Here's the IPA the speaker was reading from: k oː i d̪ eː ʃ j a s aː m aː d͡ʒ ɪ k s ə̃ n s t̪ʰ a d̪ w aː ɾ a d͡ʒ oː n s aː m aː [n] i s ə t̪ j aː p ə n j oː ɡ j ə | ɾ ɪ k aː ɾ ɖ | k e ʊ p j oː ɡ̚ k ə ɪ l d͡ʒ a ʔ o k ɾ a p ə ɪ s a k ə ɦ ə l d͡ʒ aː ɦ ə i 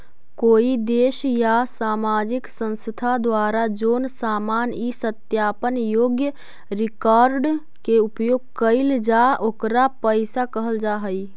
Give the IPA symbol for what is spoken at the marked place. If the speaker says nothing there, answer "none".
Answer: n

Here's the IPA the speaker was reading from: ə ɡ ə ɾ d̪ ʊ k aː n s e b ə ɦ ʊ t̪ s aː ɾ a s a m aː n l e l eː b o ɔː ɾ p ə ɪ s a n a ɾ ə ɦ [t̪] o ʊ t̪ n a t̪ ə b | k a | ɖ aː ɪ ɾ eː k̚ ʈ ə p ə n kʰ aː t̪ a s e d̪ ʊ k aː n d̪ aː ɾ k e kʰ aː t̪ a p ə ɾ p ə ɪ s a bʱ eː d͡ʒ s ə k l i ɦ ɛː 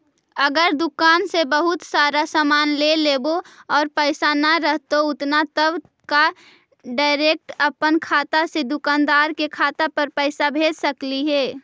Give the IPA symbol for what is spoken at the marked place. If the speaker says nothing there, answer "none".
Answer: t̪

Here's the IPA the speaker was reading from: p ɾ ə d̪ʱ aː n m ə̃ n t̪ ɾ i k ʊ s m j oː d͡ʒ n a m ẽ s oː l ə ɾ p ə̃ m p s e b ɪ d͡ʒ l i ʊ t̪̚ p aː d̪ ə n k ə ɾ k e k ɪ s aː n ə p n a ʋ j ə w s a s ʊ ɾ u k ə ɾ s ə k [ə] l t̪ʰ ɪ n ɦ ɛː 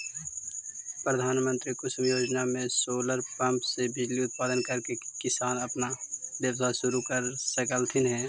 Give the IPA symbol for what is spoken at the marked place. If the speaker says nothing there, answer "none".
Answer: ə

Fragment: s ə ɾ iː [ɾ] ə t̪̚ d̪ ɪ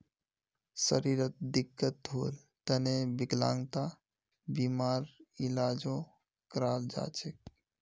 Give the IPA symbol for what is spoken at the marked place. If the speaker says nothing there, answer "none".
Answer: ɾ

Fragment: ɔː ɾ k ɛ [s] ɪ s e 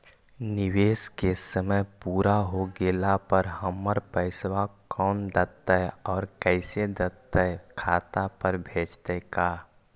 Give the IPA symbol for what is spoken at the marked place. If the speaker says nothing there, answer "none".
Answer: none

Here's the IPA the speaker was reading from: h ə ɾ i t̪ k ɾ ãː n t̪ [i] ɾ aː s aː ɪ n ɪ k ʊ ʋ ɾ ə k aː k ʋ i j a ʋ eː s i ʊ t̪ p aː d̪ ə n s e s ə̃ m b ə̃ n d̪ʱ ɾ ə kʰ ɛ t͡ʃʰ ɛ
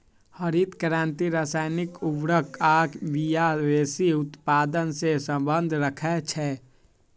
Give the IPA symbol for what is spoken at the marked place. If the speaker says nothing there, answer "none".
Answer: i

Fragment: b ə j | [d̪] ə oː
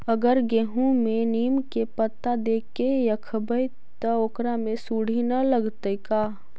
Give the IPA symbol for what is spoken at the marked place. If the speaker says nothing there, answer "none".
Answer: t̪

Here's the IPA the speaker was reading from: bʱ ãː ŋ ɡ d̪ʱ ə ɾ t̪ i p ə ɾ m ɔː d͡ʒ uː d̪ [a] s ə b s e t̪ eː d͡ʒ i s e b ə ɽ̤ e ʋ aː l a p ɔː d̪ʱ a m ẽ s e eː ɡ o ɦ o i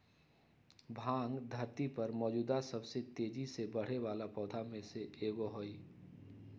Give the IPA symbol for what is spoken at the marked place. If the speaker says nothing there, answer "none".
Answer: a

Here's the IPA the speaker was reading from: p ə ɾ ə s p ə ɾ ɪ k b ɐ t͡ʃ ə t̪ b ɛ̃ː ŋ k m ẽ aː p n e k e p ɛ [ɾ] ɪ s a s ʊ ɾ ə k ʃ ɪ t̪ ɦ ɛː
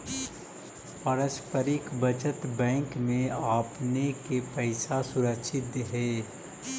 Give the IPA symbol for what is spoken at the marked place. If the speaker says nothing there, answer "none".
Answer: none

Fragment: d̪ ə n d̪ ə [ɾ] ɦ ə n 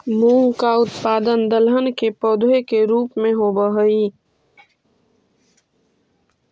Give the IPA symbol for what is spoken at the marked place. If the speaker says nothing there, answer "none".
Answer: l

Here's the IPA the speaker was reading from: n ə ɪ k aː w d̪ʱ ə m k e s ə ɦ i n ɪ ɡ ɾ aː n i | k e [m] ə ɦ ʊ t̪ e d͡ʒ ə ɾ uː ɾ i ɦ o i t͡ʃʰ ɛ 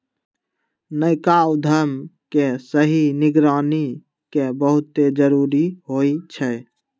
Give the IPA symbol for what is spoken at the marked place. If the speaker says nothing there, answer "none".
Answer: b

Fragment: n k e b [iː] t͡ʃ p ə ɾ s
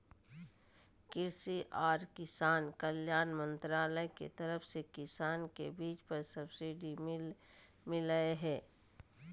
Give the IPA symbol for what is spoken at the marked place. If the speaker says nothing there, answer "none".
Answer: iː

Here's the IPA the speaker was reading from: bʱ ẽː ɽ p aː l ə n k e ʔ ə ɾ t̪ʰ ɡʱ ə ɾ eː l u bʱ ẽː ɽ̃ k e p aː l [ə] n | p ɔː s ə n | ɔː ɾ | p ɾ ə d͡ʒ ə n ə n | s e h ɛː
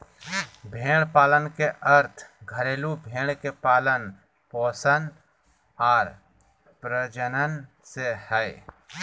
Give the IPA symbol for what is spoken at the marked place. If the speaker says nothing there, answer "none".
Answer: ə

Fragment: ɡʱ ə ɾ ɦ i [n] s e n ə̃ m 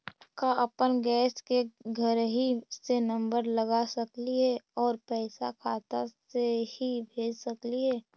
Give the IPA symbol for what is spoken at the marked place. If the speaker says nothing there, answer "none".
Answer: none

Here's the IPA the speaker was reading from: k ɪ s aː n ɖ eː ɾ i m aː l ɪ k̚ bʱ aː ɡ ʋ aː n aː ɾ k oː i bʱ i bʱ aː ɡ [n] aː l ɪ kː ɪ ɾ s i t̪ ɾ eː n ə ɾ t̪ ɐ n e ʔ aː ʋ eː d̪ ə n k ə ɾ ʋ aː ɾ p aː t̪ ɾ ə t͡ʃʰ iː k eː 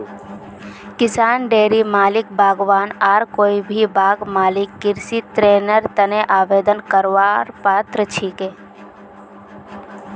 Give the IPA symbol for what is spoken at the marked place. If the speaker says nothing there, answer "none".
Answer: m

